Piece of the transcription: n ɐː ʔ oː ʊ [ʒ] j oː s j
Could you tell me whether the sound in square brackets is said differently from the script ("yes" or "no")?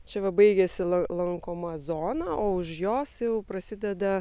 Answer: yes